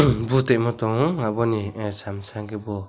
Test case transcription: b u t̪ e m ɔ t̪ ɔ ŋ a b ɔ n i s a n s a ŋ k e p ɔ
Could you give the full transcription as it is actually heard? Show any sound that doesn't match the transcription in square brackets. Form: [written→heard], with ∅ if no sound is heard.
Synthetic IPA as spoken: b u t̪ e m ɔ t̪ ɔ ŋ a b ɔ n i s a [n→m] s a ŋ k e [p→b] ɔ